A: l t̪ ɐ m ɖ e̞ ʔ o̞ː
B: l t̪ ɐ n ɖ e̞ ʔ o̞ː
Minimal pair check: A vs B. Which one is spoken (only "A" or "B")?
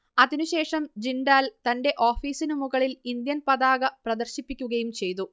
B